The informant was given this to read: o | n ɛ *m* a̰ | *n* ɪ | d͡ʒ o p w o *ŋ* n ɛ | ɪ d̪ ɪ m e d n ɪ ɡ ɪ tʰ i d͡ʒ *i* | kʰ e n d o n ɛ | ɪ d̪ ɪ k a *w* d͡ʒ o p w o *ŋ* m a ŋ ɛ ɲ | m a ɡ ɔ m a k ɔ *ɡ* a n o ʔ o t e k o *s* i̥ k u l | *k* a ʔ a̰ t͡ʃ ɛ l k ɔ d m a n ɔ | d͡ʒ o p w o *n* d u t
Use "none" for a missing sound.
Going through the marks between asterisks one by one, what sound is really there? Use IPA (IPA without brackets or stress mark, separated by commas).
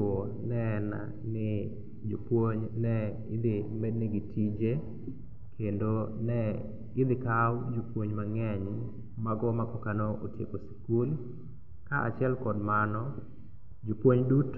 n, n, ɲ, e, w, ɲ, k, s, k, ɲ